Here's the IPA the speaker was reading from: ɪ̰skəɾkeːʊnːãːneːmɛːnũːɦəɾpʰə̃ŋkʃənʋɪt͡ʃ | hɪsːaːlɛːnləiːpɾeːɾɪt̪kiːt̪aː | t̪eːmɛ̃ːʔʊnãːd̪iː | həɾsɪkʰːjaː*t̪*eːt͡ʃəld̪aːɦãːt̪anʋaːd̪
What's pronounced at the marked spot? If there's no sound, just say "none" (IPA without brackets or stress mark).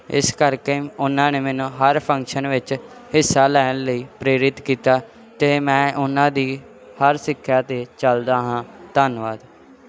t̪